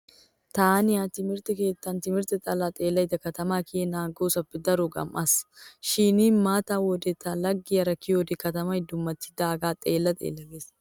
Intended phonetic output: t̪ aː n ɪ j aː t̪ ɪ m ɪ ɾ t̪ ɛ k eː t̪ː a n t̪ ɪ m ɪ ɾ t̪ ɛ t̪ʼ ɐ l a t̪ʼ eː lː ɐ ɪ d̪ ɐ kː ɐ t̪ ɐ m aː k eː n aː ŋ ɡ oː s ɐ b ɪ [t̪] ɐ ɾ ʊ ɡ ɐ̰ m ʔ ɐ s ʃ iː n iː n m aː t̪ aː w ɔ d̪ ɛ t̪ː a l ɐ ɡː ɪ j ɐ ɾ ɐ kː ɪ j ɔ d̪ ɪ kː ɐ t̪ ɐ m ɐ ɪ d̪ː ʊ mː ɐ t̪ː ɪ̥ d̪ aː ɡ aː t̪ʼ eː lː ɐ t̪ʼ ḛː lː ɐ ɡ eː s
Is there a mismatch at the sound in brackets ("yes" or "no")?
yes